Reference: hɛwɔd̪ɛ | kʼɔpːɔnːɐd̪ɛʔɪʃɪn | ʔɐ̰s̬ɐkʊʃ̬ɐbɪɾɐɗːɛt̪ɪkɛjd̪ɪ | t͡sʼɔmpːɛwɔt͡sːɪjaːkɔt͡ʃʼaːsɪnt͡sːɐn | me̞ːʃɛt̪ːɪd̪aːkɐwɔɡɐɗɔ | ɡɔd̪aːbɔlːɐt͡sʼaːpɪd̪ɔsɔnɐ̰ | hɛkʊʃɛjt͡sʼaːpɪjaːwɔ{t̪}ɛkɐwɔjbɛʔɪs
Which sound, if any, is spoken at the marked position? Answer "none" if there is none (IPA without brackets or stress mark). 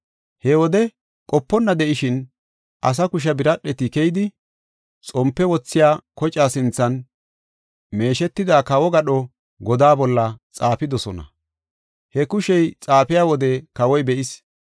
d̪